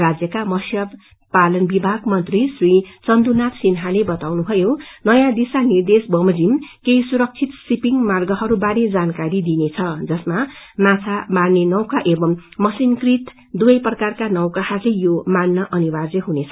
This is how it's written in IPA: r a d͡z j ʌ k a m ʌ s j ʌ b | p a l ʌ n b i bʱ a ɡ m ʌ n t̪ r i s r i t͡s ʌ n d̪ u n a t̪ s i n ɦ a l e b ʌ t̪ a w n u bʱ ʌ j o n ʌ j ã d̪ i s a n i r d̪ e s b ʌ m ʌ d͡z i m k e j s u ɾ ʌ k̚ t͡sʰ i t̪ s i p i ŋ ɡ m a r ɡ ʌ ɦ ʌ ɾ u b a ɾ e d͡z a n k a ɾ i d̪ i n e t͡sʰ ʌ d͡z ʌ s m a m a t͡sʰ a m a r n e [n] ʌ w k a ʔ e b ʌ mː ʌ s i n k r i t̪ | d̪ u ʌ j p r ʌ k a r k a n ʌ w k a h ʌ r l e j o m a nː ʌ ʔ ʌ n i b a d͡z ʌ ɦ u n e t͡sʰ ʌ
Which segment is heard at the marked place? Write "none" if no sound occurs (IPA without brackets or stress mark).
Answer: n